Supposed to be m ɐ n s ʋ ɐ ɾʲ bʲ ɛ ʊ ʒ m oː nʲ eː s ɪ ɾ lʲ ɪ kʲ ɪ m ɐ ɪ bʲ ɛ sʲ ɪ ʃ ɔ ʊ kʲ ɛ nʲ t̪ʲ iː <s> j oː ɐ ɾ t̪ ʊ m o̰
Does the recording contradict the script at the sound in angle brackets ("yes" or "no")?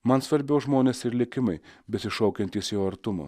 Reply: no